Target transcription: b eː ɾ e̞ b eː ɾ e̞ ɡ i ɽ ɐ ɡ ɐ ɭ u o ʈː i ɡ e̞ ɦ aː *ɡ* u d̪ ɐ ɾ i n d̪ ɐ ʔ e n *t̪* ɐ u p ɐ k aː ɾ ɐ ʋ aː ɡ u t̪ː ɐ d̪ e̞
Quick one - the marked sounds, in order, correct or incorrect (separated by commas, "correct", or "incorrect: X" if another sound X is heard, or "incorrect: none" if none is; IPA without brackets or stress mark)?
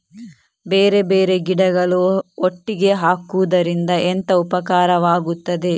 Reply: incorrect: k, correct